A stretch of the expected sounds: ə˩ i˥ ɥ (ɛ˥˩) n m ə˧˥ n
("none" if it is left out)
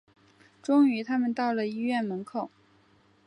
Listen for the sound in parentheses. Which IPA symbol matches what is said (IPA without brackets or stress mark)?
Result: ɛ˥˩